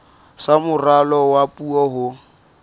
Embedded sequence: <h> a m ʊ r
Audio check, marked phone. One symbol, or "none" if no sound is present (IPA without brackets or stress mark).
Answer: s